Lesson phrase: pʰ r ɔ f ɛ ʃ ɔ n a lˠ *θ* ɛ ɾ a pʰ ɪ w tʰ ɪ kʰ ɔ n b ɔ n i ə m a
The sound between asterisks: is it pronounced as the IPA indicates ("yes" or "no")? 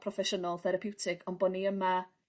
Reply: yes